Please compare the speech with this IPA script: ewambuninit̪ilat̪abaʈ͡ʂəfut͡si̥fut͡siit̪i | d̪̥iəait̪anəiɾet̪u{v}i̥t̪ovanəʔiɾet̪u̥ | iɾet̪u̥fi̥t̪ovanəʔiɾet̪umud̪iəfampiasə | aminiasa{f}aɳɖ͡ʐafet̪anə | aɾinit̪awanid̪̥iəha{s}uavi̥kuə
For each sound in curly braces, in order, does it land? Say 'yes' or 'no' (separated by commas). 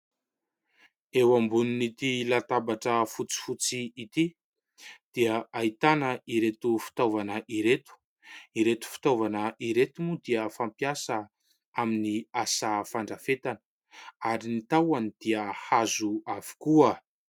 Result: no, yes, no